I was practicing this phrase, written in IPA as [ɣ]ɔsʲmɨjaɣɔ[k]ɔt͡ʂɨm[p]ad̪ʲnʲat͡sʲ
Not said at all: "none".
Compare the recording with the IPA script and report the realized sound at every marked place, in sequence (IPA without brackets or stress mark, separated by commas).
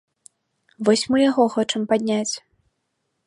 v, x, p